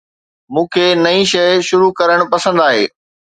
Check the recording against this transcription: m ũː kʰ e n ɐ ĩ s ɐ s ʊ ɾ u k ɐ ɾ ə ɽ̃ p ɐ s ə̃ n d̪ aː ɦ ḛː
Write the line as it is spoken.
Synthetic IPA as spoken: m ũː kʰ e n ɐ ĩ ʃ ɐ ʃ ʊ ɾ u k ɐ ɾ ə ɽ̃ p ɐ s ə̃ n d̪ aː ɦ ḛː